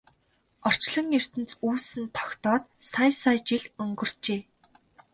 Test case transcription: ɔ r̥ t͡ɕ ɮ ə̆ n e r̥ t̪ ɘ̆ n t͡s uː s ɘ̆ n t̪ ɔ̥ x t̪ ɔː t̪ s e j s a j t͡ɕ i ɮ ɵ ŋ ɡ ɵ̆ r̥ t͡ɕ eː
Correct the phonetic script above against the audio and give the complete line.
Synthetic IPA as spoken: ɔ r̥ t͡ɕ ɮ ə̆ ŋ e r̥ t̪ ɘ̆ n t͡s uː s ɘ̆ n t̪ʰ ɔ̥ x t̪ ɔː t̪ s a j s a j t͡ɕ i ɮ ɵ ŋ ɡ ɵ̆ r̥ t͡ɕ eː